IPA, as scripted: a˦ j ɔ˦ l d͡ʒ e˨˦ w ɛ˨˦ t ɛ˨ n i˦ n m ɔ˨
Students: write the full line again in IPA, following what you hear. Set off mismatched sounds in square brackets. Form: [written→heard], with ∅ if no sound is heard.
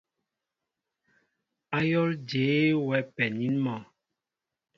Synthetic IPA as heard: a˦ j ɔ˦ l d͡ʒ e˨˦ w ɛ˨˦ [t→p] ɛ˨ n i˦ n m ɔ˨